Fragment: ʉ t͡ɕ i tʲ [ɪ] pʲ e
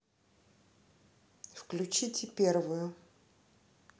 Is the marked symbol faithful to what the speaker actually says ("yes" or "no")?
yes